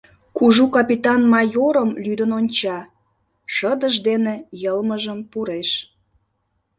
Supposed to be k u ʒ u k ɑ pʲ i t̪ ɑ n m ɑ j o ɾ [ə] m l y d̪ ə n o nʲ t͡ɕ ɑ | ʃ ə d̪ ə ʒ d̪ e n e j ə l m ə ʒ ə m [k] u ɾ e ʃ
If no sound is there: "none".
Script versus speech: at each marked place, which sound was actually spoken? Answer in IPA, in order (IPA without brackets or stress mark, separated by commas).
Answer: ə, p